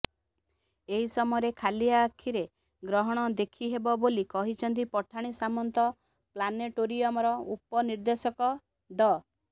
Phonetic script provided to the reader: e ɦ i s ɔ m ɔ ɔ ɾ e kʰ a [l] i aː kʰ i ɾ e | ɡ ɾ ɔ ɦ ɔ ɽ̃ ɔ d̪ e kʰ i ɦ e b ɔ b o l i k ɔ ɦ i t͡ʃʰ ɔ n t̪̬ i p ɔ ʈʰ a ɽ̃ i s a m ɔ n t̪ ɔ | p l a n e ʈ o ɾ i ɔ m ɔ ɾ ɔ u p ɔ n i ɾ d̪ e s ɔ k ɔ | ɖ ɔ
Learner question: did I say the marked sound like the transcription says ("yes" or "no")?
yes